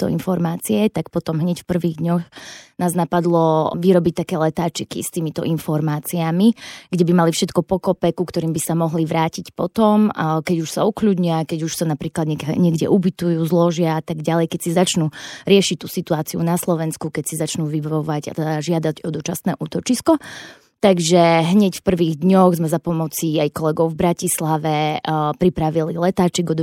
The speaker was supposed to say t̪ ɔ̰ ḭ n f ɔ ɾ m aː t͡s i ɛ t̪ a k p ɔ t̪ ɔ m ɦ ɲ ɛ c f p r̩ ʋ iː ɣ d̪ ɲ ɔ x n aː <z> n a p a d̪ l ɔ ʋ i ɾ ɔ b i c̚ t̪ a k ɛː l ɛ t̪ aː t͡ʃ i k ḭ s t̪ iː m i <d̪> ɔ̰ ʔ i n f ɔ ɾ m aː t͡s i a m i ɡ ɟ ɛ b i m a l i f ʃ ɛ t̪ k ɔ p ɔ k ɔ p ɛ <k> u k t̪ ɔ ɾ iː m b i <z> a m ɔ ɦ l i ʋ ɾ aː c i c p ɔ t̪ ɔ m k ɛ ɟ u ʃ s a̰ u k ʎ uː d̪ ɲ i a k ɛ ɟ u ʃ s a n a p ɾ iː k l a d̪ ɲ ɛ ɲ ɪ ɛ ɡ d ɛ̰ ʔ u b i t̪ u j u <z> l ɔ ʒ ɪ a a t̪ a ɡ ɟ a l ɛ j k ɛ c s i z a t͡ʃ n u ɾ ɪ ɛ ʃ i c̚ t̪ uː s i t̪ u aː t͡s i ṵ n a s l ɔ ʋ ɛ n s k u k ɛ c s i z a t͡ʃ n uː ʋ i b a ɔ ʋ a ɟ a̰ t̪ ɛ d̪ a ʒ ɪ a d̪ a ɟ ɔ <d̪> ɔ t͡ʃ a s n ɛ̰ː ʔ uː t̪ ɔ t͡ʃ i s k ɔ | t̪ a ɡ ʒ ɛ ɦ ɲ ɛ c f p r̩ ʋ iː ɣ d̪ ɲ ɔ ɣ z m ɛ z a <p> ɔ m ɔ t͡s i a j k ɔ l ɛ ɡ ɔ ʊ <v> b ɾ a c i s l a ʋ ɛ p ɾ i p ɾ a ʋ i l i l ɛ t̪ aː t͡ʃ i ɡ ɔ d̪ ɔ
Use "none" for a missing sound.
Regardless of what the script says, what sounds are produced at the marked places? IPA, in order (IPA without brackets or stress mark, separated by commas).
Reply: z, t̪, k, s, z, d̪, p, v